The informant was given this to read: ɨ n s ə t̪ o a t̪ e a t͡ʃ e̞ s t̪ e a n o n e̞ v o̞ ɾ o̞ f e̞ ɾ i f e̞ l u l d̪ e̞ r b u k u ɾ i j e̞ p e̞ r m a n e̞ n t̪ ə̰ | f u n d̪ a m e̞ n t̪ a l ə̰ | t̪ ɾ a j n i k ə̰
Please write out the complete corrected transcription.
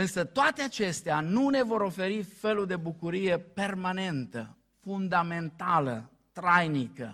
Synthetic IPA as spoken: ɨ n s ə t̪ o a t̪ e a t͡ʃ e̞ s t̪ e a n u n e̞ v o̞ ɾ o̞ f e̞ ɾ i f e̞ l u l d̪ e̞ b u k u ɾ i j e̞ p e̞ r m a n e̞ n t̪ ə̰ | f u n d̪ a m e̞ n t̪ a l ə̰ | t̪ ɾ a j n i k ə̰